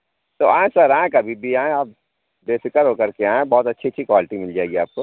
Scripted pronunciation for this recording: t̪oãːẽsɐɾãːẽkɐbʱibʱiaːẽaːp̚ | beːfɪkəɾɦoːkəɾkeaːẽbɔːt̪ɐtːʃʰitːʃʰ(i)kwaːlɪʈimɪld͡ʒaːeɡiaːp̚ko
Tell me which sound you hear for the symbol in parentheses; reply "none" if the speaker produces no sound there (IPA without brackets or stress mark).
i